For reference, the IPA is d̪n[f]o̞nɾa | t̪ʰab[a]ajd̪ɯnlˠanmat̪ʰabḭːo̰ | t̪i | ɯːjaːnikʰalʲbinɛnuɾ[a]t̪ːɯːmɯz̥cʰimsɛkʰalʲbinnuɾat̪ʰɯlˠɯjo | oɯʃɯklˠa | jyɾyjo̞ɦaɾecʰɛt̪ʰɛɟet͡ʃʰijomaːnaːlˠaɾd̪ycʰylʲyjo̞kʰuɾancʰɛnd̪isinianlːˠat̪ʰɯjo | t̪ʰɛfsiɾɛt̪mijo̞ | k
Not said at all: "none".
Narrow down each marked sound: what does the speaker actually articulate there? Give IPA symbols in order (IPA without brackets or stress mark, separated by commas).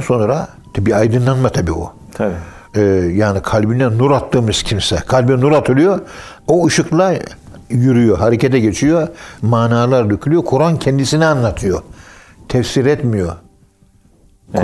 s, i, a